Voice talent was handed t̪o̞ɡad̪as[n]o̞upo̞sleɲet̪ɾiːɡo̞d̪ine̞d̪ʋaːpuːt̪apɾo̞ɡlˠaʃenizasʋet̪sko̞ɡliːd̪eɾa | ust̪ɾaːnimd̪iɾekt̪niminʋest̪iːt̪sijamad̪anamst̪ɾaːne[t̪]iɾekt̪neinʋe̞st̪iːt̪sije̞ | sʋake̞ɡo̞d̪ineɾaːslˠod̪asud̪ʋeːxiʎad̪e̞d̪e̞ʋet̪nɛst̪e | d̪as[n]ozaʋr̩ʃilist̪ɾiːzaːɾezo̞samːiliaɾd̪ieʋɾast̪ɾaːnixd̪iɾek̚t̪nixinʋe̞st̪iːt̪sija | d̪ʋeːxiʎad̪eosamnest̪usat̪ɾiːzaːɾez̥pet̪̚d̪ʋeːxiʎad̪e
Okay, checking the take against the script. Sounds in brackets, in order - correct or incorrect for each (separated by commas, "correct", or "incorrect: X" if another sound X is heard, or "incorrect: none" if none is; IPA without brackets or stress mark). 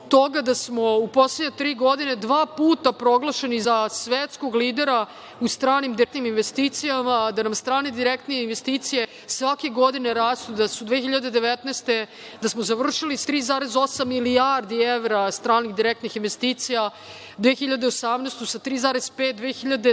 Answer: incorrect: m, incorrect: d̪, incorrect: m